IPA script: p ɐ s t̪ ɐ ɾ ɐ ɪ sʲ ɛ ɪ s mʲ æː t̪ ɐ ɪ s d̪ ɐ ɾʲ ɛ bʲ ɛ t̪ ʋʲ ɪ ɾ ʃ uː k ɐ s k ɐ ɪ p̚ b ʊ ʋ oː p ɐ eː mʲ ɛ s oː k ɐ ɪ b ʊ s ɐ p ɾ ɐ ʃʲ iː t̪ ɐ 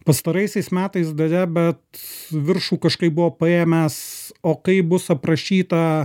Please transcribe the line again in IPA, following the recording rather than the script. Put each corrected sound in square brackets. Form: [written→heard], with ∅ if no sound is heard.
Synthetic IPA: p ɐ s t̪ ɐ ɾ ɐ ɪ sʲ ɛ ɪ s mʲ æː t̪ ɐ ɪ s d̪ ɐ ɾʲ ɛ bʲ ɛ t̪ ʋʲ ɪ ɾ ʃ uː k ɐ [s→ʃ] k ɐ ɪ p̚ b ʊ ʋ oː p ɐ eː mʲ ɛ s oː k ɐ ɪ b ʊ s ɐ p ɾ ɐ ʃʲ iː t̪ ɐ

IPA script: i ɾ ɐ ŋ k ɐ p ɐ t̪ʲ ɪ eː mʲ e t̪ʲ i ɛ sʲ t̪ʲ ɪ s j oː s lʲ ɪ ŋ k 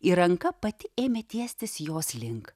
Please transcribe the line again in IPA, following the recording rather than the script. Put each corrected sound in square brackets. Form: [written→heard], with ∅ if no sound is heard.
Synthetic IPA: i ɾ ɐ ŋ k ɐ p ɐ t̪ʲ ɪ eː mʲ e t̪ʲ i ɛ sʲ t̪ʲ ɪ s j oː s lʲ ɪ ŋ k

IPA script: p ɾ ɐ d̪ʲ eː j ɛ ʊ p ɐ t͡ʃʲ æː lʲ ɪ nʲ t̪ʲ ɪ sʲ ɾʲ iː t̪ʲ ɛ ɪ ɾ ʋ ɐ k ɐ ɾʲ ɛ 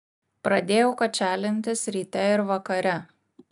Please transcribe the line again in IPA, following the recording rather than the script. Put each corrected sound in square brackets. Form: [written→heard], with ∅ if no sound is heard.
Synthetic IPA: p ɾ ɐ d̪ʲ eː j ɛ ʊ [p→k] ɐ t͡ʃʲ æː lʲ ɪ nʲ t̪ʲ ɪ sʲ ɾʲ iː t̪ʲ ɛ ɪ ɾ ʋ ɐ k ɐ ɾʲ ɛ

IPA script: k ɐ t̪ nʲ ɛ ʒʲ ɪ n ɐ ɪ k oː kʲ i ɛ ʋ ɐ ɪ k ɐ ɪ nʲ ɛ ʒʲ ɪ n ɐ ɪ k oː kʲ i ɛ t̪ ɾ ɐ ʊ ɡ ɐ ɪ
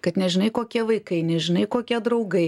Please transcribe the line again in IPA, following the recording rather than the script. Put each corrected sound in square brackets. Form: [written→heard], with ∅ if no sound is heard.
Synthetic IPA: k ɐ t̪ nʲ ɛ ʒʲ ɪ n ɐ ɪ k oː kʲ i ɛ ʋ ɐ ɪ k ɐ ɪ nʲ ɛ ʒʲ ɪ n ɐ ɪ k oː kʲ i ɛ [t̪→d̪] ɾ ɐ ʊ ɡ ɐ ɪ

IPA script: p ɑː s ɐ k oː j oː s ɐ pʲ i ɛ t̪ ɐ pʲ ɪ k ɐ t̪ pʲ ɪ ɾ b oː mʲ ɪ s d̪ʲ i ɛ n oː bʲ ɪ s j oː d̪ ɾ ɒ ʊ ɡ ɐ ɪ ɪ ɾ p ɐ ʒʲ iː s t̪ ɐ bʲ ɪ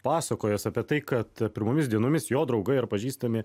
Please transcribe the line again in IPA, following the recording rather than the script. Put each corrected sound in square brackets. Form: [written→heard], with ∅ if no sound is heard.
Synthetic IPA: p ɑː s ɐ k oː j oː s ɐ pʲ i ɛ t̪ ɐ [pʲ→∅] ɪ k ɐ t̪ pʲ ɪ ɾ [b→m] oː mʲ ɪ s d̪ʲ i ɛ n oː [bʲ→mʲ] ɪ s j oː d̪ ɾ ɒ ʊ ɡ ɐ ɪ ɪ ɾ p ɐ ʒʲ iː s t̪ ɐ [bʲ→mʲ] ɪ

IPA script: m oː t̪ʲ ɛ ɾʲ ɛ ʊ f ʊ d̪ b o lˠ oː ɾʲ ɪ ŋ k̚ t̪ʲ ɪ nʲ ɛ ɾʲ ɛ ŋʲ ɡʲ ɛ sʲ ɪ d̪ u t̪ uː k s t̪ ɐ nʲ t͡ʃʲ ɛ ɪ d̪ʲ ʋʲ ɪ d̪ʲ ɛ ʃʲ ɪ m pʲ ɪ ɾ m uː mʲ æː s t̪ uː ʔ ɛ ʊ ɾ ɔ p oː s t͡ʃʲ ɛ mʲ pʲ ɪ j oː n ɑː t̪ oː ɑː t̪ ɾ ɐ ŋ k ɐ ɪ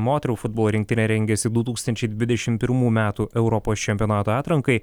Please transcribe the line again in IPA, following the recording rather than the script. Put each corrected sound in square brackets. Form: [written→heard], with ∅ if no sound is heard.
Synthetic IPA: m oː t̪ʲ ɛ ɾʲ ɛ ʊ f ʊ d̪ b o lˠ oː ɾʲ ɪ ŋ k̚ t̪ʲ ɪ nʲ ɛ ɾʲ ɛ ŋʲ ɡʲ ɛ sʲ ɪ d̪ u t̪ uː k s t̪ ɐ nʲ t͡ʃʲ ɛ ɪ d̪ʲ ʋʲ ɪ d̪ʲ ɛ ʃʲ ɪ m pʲ ɪ ɾ m uː mʲ æː [s→∅] t̪ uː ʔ ɛ ʊ ɾ ɔ p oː s t͡ʃʲ ɛ mʲ pʲ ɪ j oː n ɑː t̪ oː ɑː t̪ ɾ ɐ ŋ k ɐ ɪ

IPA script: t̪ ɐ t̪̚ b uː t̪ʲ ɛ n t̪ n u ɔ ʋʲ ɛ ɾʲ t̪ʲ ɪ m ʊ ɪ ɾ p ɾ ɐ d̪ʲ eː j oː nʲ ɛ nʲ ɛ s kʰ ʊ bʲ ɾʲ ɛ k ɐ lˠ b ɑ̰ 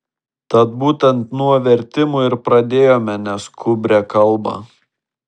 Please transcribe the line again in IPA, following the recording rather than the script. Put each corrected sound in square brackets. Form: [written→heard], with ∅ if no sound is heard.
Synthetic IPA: t̪ ɐ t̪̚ b uː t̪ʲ ɛ n t̪ n u ɔ ʋʲ ɛ ɾʲ t̪ʲ ɪ m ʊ ɪ ɾ p ɾ ɐ d̪ʲ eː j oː [nʲ→mʲ] ɛ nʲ ɛ s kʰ ʊ bʲ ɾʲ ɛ k ɐ lˠ b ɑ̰

